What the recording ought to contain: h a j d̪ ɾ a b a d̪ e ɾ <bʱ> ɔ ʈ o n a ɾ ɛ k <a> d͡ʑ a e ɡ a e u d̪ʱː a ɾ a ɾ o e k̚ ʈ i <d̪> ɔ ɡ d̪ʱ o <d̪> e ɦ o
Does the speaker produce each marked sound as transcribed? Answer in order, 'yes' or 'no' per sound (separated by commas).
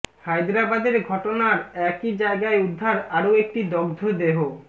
no, no, yes, yes